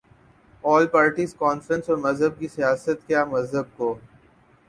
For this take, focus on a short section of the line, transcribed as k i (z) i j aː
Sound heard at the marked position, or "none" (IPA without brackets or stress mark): s